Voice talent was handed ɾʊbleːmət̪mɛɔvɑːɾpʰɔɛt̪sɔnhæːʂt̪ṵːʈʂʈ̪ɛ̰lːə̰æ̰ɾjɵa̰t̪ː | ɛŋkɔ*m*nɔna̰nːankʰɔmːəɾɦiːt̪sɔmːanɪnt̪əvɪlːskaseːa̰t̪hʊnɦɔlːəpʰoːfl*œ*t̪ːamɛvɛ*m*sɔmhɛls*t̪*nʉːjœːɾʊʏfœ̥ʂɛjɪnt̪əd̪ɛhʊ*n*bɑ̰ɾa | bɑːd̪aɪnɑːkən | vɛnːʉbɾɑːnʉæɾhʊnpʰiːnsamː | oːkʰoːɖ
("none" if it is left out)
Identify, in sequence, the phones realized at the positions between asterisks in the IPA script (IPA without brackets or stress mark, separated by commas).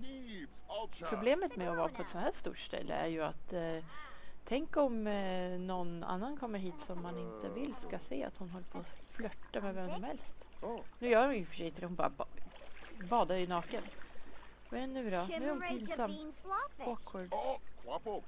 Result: m, œ, m, t̪, n